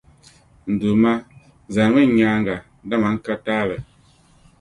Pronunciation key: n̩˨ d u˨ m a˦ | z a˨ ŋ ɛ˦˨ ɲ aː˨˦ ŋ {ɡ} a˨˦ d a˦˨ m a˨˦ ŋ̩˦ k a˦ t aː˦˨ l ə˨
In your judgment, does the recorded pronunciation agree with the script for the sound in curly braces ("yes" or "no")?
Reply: yes